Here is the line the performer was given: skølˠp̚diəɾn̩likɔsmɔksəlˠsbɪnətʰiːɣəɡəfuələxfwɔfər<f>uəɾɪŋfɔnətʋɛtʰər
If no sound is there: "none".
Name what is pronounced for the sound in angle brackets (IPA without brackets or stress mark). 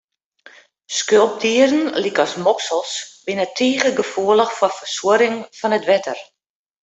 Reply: s